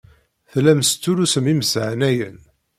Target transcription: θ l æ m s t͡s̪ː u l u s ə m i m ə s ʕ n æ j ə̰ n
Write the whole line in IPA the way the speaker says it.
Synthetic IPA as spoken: θ l æ m s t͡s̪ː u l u s ə m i m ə s ʕ n æ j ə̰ n